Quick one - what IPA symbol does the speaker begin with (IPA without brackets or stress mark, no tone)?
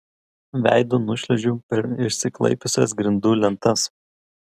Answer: ʋʲ